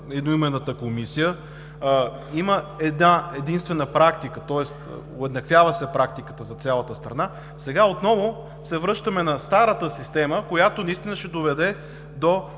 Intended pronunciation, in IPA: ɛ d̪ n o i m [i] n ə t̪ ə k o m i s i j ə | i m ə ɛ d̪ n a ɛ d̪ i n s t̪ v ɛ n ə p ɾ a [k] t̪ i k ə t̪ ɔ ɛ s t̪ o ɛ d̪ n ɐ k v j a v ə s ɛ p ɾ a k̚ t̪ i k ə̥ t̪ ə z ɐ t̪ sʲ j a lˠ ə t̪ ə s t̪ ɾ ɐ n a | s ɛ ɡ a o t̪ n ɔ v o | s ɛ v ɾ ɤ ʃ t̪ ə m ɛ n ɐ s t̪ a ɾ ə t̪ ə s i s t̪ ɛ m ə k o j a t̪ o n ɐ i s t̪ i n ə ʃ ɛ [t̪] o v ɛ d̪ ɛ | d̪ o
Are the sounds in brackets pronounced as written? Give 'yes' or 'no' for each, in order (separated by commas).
no, yes, no